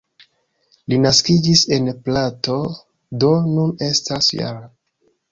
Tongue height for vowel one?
high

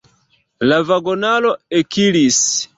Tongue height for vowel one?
low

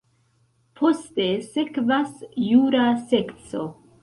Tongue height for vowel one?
mid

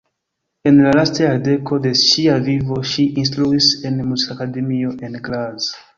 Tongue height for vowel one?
mid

